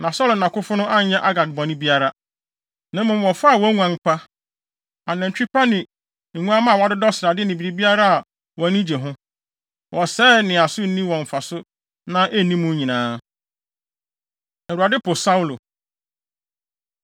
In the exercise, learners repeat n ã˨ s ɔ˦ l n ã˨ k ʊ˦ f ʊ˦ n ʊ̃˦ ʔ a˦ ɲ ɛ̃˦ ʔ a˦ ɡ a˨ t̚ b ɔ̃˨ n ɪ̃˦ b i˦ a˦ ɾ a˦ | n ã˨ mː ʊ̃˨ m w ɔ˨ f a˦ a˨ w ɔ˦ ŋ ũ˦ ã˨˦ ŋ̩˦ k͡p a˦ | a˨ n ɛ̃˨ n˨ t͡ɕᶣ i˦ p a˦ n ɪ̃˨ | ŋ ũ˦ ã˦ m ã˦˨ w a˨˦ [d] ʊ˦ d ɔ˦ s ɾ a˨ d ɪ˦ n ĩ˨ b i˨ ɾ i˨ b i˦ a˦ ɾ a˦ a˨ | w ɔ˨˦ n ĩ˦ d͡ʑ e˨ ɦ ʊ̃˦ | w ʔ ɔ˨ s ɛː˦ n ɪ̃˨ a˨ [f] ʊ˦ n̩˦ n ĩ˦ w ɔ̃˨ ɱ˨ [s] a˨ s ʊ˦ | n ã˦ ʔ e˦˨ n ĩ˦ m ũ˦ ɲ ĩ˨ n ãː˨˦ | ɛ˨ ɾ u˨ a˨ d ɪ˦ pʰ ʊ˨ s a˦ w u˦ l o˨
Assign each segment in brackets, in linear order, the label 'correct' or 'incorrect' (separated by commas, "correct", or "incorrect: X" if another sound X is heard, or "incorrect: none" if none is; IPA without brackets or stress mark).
correct, incorrect: s, incorrect: f